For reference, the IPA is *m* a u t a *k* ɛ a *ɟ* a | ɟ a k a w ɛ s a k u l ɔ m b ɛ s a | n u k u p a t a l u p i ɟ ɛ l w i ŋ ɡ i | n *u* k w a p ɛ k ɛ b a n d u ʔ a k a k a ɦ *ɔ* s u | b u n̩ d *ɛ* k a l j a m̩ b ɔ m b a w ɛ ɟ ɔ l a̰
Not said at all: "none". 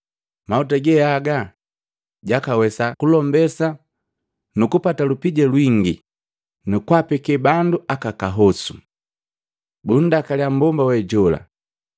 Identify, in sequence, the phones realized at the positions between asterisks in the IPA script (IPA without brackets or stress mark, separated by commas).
m, ɡ, ɡ, u, ɔ, a